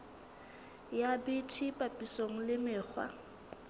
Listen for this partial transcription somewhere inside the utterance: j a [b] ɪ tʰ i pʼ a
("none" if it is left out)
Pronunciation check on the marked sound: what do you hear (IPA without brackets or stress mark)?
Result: b